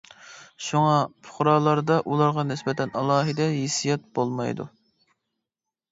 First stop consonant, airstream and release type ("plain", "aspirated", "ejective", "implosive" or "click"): aspirated